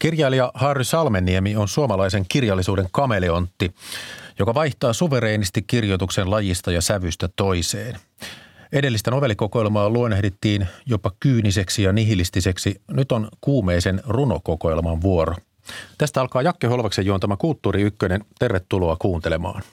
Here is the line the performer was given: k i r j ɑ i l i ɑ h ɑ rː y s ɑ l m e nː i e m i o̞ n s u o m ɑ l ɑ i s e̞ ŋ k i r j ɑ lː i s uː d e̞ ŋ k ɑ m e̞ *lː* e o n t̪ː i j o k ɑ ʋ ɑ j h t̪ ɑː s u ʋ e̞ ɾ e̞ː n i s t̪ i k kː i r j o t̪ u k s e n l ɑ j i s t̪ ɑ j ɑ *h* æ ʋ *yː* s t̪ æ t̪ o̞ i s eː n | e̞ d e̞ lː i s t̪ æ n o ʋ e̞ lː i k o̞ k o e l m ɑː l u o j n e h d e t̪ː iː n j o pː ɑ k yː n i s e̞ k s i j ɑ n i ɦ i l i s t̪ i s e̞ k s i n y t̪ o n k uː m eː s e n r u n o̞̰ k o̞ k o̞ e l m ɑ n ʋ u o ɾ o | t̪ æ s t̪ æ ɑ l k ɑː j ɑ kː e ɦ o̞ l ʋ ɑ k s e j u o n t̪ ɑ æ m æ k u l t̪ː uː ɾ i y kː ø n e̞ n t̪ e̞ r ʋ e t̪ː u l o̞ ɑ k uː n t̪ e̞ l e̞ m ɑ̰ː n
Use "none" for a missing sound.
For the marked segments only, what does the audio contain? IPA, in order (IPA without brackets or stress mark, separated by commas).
l, s, y